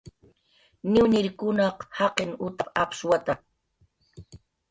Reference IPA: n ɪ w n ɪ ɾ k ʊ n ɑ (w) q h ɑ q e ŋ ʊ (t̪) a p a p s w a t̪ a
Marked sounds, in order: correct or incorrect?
incorrect: none, correct

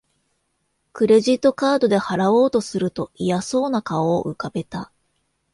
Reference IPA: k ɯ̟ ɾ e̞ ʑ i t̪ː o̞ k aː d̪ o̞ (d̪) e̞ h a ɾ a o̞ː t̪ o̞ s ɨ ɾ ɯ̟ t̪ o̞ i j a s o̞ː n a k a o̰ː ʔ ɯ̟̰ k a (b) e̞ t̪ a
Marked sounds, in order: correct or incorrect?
correct, correct

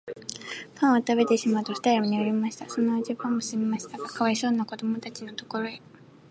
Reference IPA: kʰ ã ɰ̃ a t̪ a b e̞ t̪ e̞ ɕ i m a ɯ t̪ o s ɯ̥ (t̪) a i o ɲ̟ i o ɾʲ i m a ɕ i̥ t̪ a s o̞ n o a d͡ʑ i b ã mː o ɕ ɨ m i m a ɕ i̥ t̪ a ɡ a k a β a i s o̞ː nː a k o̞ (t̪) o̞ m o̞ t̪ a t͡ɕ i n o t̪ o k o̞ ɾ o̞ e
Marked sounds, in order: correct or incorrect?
correct, incorrect: d̪

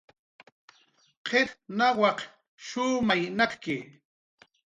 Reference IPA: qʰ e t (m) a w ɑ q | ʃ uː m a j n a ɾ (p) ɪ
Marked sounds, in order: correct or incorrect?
incorrect: n, incorrect: k

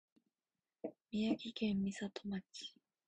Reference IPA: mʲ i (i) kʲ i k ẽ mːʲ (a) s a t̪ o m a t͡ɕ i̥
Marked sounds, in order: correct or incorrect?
incorrect: a, incorrect: i

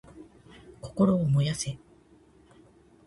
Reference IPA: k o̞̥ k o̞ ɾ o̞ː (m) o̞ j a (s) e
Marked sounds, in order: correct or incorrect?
correct, correct

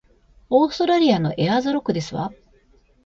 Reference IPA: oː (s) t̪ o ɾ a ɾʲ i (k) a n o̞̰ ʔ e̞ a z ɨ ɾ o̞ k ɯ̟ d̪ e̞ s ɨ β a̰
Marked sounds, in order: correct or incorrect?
correct, incorrect: none

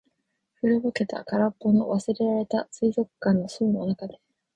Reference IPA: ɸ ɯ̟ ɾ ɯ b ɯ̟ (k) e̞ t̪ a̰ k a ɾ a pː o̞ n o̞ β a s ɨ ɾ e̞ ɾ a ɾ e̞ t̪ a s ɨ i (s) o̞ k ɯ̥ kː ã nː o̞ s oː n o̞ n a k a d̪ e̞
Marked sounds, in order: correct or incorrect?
correct, incorrect: z

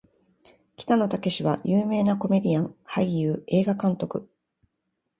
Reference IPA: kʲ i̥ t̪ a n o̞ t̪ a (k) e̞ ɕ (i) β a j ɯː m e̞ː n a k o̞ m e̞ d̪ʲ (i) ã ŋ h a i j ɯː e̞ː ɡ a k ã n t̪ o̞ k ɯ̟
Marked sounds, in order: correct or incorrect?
correct, correct, correct

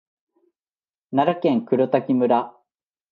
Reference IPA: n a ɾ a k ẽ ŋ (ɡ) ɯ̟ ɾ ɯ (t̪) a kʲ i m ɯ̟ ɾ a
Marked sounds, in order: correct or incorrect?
incorrect: k, correct

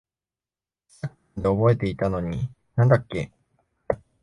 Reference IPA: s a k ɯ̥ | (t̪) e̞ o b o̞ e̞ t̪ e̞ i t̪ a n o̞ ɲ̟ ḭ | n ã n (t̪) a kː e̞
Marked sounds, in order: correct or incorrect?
incorrect: d̪, incorrect: d̪

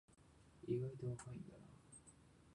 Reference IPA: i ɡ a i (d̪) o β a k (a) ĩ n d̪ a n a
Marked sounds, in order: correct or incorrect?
incorrect: t̪, correct

